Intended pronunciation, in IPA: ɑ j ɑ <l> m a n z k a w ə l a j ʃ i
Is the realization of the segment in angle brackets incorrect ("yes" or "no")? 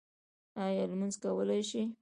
no